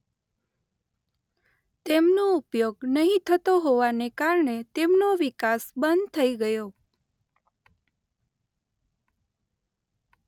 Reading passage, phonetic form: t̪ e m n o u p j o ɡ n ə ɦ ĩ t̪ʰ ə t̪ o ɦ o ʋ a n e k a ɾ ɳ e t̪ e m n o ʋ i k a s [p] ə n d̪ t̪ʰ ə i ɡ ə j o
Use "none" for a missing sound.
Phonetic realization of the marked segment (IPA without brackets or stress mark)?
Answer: b